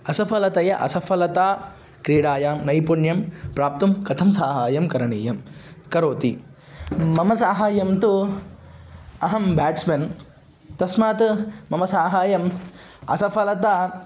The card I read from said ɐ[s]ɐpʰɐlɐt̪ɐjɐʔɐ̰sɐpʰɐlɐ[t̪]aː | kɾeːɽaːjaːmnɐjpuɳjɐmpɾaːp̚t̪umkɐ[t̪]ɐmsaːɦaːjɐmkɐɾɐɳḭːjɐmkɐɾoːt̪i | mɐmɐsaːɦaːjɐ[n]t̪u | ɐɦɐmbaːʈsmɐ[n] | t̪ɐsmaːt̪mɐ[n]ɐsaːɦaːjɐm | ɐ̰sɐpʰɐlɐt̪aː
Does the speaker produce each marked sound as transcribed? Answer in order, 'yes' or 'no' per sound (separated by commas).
yes, yes, no, no, yes, no